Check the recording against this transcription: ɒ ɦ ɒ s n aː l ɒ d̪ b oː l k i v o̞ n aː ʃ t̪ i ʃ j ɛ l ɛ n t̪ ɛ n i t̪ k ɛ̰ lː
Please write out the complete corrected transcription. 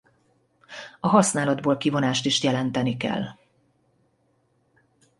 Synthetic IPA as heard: ɒ ɦ ɒ s n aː l ɒ d̪ b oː l k i v o̞ n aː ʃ t̪ i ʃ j ɛ l ɛ n t̪ ɛ n i k ɛ̰ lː